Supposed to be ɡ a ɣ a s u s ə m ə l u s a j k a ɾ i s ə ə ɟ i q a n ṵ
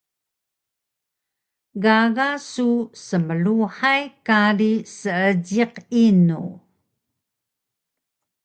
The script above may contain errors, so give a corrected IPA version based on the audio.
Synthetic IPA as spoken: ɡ a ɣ a s u s ə m ə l u ħ a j k a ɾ i s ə ə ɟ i q i n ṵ